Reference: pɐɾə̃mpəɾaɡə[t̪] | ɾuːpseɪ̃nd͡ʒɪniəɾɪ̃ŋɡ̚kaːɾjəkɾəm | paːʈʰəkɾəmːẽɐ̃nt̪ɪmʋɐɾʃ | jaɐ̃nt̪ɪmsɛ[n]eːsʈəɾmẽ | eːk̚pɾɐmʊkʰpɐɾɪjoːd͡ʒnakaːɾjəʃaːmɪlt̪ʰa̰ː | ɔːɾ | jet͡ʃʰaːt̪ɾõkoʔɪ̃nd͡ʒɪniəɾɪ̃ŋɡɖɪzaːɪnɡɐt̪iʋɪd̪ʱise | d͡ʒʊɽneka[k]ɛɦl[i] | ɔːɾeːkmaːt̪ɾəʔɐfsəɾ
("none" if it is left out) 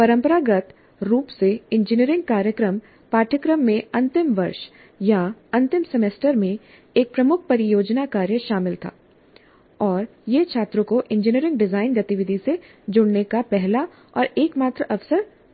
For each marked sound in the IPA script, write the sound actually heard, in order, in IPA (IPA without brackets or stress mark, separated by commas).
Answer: t̪, m, p, a